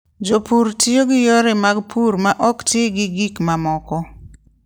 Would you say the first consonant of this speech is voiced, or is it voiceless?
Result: voiced